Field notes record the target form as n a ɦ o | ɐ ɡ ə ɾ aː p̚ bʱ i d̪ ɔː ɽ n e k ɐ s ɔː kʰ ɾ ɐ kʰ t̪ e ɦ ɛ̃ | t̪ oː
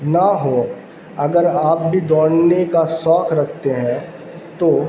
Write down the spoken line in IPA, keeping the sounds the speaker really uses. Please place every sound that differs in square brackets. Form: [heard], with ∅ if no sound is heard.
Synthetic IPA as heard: n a ɦ o | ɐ ɡ ə ɾ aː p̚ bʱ i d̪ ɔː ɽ n e k [a] s ɔː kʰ ɾ ɐ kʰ t̪ e ɦ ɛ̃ | t̪ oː